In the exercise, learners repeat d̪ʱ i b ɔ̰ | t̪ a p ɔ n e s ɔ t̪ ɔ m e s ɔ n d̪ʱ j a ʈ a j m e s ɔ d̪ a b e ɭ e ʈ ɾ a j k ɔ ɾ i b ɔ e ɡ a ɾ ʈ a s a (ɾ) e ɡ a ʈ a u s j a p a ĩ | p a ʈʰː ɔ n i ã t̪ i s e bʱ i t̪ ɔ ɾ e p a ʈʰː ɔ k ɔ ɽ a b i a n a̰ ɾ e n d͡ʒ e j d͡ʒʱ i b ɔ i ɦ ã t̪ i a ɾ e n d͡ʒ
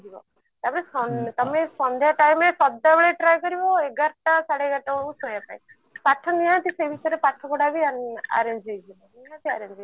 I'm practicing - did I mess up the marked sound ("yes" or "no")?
yes